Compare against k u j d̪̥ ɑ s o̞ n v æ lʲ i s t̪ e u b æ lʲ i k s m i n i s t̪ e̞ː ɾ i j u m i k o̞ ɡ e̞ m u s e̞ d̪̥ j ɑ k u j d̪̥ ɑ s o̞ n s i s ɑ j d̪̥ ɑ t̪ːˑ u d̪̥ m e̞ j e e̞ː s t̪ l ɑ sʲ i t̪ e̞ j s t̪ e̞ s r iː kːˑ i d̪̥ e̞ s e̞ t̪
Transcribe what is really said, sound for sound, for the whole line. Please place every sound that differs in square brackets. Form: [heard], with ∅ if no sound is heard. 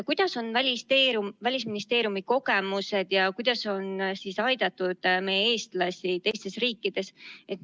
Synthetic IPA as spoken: k u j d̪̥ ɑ s o̞ n v æ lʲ i s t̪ e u [v] æ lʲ i [∅] s m i n i s t̪ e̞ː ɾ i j u m i k o̞ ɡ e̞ m u s e̞ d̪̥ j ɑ k u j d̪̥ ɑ s o̞ n s i s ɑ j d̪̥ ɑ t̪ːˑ u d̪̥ m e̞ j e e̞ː s t̪ l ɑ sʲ i t̪ e̞ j s t̪ e̞ s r iː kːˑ i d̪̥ e̞ s e̞ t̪